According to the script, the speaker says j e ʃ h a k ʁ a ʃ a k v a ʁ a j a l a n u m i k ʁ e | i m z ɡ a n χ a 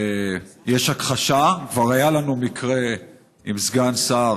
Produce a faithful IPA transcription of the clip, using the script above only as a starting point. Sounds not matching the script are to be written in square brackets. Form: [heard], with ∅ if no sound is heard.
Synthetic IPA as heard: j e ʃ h a k [χ] a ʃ a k v a ʁ a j a l a n u m i k ʁ e | i m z ɡ a n [s] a

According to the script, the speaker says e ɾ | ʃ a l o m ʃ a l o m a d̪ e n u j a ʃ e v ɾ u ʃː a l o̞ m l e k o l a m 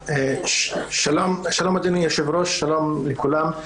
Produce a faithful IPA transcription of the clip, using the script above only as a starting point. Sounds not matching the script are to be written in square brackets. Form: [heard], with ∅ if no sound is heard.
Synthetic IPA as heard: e [∅] | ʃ a l o m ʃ a l o m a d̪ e n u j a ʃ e v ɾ [o] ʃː a l o̞ m l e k [u] l a m

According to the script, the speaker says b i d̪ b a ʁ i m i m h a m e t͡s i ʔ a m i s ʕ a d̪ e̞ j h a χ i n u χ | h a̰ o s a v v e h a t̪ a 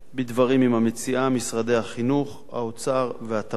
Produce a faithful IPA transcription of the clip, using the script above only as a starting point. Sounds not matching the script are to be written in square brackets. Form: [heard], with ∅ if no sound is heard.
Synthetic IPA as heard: b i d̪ [v] a ʁ i m i m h a m e t͡s i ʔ a m i s [ʁ] a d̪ e̞ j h a χ i n u χ | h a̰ o [t͡s] a [ʁ] v e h a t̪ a

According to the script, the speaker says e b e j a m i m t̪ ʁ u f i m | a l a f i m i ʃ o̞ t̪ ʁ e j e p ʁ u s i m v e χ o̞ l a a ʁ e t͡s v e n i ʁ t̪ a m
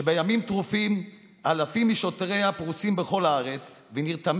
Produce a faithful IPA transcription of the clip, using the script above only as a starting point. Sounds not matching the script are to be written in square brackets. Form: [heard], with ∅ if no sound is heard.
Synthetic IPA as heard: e b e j a m i m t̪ ʁ u f i m | a l a f i m i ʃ o̞ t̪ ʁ e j [a] p ʁ u s i m [b] e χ o̞ l a a ʁ e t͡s v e n i ʁ t̪ a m

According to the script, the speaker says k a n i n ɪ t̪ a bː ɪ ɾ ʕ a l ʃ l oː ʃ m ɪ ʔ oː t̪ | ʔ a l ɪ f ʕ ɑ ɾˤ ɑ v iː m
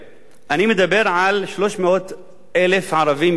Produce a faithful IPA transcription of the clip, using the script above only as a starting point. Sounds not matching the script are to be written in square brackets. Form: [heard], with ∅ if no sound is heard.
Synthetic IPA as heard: [ʔ] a n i [m] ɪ [d̪] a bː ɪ ɾ ʕ a l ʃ l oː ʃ m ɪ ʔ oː t̪ | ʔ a l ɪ f ʕ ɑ ɾˤ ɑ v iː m

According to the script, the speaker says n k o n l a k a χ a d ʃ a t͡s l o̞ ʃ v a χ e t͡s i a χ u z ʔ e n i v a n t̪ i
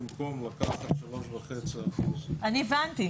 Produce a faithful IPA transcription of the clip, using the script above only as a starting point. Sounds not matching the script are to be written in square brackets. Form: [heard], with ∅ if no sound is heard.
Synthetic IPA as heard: [m] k o [m] l a k a χ a [t] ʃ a [∅] l o̞ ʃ v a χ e t͡s i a χ u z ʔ [a] n i v a n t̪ i

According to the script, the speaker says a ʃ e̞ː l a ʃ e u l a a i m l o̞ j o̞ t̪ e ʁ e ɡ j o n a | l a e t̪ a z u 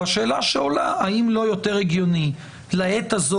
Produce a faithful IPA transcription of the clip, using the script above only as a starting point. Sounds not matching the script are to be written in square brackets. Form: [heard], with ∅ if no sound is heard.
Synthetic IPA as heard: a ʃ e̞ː l a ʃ e [o] l a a i m l o̞ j o̞ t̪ e ʁ e ɡ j o n [i] | l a e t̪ a z [o]

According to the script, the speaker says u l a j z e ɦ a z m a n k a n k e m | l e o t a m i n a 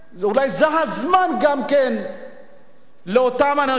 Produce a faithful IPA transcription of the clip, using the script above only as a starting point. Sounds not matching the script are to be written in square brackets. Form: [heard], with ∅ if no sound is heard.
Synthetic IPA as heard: u l a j z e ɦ a z m a n [ɡ] a [m] k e [n] | l e o t a m [a] n a

